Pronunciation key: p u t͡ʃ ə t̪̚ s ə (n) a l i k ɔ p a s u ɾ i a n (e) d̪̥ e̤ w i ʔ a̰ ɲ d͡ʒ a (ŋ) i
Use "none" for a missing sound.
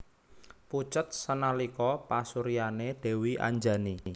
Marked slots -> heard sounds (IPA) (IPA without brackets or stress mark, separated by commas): n, e, n